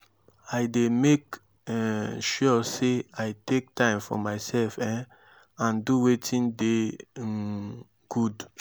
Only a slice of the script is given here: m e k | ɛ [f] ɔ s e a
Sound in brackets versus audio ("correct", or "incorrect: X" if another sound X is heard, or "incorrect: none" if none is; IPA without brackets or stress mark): incorrect: ʃ